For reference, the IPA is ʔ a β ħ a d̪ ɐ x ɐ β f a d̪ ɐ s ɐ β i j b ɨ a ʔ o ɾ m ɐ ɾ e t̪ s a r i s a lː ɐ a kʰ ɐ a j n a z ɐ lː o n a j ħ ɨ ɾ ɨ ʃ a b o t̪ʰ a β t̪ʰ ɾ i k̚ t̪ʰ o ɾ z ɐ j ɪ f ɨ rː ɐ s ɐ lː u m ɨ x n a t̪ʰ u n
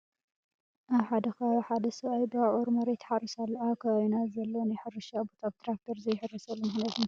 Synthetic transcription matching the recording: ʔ a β ħ a d̪ ɐ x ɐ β ħ a d̪ ɐ s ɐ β a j b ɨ a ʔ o ɾ m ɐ ɾ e t̪ ħ a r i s a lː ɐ a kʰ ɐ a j n a z ɐ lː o n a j ħ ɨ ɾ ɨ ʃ a b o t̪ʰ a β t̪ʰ ɾ a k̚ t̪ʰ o ɾ z ɐ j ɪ ħ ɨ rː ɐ s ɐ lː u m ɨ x n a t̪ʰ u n